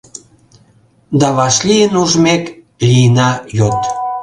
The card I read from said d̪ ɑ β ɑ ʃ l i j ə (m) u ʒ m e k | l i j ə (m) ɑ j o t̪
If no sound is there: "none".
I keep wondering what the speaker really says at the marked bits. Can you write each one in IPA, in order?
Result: n, n

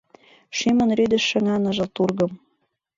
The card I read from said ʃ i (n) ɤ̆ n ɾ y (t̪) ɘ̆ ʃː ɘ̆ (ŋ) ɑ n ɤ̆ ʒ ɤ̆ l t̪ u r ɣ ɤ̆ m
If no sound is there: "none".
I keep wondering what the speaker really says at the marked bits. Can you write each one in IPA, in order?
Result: m, d̪, ŋ

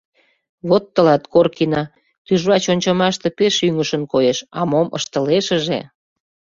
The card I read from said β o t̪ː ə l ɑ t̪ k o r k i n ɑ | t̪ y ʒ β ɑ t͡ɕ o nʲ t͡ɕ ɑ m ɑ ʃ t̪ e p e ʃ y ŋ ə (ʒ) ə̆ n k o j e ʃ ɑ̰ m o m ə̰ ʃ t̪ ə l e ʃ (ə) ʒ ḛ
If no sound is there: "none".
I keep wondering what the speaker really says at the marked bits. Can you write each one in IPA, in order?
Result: ʃ, ə

